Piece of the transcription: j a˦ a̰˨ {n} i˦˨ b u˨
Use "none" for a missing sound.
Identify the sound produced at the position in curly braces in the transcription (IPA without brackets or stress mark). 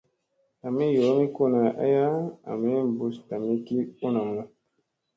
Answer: m